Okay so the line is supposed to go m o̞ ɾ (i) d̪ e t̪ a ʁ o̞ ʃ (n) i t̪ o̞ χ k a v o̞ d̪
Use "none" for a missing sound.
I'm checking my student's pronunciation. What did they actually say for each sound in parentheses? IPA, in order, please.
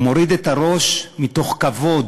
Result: i, m

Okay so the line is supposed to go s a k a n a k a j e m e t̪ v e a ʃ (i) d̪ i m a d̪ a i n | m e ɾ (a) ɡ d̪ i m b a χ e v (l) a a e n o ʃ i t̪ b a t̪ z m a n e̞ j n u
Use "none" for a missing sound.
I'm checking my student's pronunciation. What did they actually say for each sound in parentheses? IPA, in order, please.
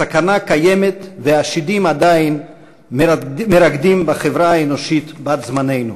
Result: i, a, ɾ

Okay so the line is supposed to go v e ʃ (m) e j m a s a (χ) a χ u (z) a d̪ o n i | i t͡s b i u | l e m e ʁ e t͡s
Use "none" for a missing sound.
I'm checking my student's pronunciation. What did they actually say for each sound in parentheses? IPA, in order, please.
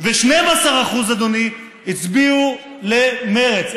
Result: n, ʁ, z

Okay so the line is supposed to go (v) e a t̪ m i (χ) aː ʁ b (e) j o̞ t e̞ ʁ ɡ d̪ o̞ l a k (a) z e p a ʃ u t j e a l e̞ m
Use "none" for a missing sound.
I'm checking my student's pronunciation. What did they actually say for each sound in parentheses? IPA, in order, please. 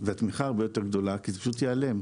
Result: v, χ, e, i

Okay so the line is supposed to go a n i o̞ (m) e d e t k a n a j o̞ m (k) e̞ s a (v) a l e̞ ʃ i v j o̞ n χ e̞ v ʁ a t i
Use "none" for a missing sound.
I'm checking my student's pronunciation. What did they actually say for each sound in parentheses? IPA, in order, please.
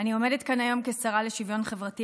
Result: m, k, ʁ

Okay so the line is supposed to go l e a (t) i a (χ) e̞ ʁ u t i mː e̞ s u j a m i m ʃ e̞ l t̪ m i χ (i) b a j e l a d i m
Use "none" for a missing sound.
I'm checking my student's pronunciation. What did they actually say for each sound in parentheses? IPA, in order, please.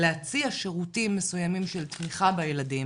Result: t͡s, ʃ, a

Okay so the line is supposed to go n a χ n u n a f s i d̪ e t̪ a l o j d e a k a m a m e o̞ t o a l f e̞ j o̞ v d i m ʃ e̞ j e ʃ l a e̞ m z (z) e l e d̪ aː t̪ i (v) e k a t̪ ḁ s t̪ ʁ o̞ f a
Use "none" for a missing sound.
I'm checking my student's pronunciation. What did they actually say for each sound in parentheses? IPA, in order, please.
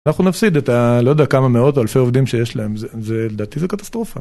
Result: z, z

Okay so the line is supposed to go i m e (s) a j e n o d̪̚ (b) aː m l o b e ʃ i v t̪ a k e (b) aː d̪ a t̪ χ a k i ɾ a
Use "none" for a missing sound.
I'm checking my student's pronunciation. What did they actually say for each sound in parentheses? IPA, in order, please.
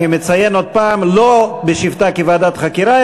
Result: t͡s, p, v

